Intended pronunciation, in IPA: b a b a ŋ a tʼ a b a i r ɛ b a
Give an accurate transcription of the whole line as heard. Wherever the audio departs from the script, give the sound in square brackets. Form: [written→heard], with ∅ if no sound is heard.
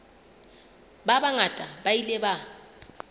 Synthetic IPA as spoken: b a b a ŋ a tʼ a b a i [r→l] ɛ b a